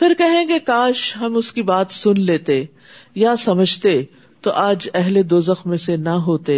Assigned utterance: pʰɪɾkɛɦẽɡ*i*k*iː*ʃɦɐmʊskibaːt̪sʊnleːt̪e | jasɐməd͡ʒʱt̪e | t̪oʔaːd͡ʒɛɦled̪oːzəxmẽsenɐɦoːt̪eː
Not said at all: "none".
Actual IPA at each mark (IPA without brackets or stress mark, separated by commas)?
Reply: e, aː